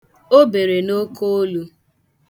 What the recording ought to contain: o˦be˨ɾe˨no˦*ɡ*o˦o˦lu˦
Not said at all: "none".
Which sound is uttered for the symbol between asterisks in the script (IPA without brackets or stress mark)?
k